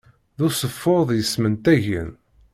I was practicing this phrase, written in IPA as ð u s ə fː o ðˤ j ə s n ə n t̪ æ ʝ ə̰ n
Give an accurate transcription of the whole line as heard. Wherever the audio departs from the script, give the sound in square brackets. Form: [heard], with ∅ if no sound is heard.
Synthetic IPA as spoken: ð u s ə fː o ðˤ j ə s [m] ə n t̪ æ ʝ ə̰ n